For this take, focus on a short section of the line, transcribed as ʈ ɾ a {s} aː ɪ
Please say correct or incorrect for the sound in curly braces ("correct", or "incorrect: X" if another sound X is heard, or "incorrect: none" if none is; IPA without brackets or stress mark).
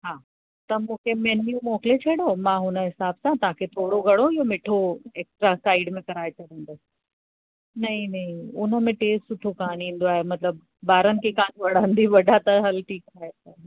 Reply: correct